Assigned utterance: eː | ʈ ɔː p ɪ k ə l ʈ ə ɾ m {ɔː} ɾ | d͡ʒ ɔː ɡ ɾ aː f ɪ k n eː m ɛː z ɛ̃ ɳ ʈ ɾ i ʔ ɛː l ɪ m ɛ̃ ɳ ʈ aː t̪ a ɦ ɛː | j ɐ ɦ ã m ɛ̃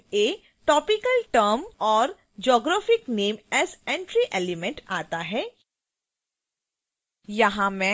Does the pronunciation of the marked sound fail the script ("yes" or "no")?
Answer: no